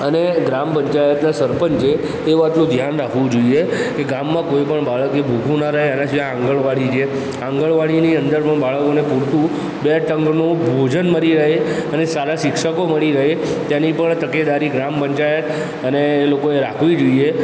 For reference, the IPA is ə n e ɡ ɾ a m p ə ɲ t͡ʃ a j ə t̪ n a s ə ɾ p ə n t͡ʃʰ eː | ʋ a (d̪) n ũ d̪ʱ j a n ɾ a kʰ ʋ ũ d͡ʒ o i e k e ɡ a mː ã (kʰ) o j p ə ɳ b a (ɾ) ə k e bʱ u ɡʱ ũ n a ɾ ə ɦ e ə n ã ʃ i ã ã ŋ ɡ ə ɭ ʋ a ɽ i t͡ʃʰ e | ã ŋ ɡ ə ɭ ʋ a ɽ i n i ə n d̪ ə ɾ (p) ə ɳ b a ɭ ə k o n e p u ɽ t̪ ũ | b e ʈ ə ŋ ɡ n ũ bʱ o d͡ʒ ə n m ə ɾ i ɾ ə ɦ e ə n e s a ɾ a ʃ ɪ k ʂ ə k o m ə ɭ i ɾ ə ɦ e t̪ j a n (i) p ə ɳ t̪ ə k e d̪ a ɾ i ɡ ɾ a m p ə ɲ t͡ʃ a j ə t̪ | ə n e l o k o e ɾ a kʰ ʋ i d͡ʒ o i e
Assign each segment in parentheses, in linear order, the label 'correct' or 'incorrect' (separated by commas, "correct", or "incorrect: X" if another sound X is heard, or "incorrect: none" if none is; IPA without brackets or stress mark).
incorrect: t̪, incorrect: k, incorrect: ɭ, correct, correct